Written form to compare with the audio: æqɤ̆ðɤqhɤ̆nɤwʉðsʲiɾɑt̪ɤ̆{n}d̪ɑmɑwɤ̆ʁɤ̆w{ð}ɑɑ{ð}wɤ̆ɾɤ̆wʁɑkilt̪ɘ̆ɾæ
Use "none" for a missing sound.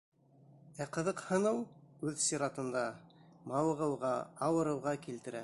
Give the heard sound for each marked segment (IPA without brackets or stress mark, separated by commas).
n, ʁ, none